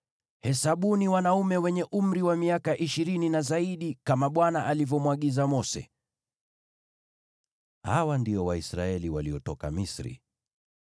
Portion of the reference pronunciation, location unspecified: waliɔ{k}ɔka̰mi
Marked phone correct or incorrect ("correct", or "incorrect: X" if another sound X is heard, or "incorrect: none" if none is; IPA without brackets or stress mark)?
incorrect: t